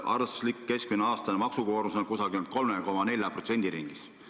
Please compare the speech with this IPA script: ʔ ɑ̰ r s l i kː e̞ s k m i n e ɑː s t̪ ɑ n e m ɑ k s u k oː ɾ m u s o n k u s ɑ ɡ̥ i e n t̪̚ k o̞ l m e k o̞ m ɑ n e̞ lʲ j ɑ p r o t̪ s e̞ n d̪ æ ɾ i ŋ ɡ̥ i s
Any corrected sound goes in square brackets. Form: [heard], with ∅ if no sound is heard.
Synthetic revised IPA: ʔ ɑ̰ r s l i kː e̞ s k m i n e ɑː s t̪ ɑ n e m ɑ k s u k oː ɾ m u s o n k u s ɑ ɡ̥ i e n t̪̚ k o̞ l m e k o̞ m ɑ n e̞ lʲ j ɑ p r o t̪ s e̞ n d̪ [i] ɾ i ŋ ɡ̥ i s